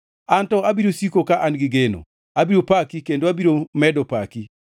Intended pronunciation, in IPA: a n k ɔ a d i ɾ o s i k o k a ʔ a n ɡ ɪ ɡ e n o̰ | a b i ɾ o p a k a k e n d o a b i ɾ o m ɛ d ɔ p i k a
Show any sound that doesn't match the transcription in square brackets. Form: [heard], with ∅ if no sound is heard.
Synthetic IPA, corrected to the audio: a n [t] ɔ a [b] i ɾ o s i k o k a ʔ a n ɡ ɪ ɡ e n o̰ | a b i ɾ o p a k [i] k e n d o a b i ɾ o m ɛ d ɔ p [a] k [i]